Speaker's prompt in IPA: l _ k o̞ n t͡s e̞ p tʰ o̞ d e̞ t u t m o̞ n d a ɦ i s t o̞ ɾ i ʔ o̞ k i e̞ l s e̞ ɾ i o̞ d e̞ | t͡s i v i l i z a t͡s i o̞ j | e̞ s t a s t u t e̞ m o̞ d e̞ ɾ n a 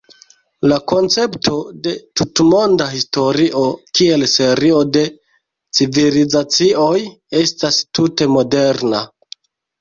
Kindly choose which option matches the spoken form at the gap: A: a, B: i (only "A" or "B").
A